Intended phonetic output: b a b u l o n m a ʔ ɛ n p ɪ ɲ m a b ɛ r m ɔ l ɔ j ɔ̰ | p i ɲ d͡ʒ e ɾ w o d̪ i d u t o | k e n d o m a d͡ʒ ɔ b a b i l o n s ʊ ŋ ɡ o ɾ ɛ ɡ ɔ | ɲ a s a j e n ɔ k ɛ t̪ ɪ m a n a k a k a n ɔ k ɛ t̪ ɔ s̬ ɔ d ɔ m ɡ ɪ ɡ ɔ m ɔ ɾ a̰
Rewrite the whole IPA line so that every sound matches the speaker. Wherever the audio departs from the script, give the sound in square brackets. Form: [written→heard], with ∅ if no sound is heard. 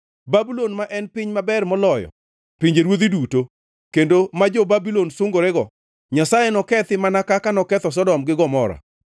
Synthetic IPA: b a b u l o n m a ʔ ɛ n p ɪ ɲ m a b ɛ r m ɔ l ɔ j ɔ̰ | p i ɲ d͡ʒ e ɾ w o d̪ i d u t o | k e n d o m a d͡ʒ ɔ b a b i l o n s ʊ ŋ ɡ o ɾ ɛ ɡ ɔ | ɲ a s a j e n ɔ k ɛ t̪ ɪ m a n a k a k a n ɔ k ɛ t̪ ɔ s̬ ɔ d ɔ m ɡ ɪ ɡ ɔ m ɔ ɾ a̰